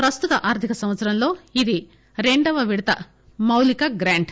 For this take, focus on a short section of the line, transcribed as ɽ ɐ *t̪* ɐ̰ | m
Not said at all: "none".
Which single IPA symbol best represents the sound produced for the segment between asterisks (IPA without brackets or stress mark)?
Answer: t̪